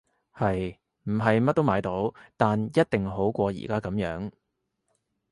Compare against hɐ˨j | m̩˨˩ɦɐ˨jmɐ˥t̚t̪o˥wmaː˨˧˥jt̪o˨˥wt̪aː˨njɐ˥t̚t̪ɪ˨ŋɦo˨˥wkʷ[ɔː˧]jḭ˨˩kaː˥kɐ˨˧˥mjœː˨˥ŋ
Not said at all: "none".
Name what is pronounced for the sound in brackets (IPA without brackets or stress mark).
ɔː˧